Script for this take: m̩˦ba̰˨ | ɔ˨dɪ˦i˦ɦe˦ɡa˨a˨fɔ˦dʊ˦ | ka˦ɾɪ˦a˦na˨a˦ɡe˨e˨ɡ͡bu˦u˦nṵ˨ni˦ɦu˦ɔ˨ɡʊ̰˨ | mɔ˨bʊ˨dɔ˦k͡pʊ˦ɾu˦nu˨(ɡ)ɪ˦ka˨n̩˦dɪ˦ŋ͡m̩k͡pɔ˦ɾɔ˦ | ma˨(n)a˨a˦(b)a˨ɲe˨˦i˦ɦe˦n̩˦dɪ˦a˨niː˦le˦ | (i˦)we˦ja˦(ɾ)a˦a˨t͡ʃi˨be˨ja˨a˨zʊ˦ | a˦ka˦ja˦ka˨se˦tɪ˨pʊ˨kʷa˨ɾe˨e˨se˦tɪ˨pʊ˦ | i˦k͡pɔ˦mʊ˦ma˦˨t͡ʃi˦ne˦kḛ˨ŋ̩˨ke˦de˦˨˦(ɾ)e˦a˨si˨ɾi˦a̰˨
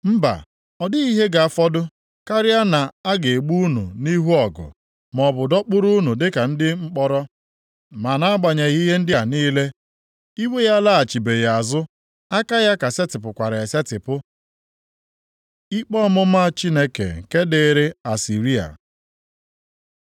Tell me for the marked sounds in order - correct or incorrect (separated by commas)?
incorrect, correct, incorrect, correct, incorrect, correct